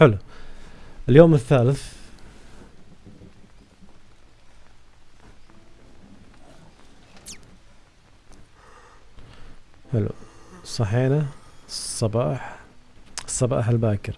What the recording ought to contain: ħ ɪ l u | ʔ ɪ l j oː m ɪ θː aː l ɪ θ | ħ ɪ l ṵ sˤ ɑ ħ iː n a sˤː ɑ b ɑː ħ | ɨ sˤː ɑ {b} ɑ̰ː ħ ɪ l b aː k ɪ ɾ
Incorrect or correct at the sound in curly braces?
correct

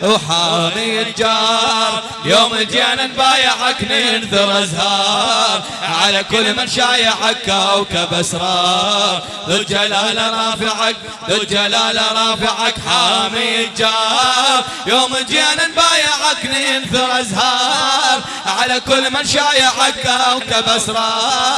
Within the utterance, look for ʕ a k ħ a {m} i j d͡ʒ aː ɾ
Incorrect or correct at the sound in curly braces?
correct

